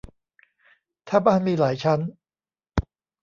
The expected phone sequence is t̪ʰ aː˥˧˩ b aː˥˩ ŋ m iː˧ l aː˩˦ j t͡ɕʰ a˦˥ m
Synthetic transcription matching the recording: t̪ʰ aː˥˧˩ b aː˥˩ n m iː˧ l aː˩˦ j t͡ɕʰ a˦˥ n